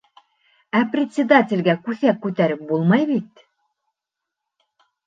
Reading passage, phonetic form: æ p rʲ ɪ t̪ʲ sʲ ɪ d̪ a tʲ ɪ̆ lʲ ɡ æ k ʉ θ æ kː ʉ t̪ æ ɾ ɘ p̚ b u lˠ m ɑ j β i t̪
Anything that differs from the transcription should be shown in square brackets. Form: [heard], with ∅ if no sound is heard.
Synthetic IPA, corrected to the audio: æ p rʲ ɪ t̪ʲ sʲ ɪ d̪ a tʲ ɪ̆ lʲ ɡ æ k ʉ θ æ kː ʉ t̪ æ ɾ ɘ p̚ b u lˠ m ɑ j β i t̪